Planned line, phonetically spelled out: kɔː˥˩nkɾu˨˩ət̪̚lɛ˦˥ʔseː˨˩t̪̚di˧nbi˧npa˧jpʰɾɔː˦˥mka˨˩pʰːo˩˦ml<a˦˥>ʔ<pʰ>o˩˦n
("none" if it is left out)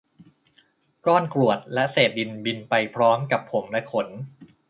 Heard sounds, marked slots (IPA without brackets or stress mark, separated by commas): ɛ˦˥, kʰ